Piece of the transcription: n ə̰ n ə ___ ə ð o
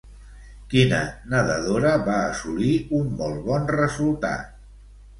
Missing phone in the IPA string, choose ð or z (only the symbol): ð